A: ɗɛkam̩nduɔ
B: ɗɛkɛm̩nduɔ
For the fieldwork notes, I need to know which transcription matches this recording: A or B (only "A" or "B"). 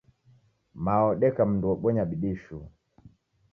A